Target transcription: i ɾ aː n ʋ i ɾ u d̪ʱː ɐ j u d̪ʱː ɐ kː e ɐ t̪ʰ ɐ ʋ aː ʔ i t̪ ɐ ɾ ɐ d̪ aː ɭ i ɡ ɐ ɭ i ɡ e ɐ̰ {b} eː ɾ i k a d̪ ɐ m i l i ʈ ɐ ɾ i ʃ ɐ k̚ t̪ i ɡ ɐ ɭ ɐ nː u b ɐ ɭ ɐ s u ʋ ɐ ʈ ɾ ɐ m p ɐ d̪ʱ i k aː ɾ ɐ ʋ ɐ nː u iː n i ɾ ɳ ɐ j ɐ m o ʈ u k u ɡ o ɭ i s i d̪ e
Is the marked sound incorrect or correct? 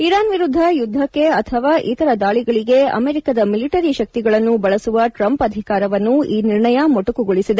incorrect